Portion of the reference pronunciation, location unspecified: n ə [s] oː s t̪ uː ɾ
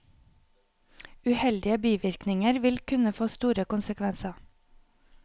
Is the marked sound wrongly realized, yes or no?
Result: yes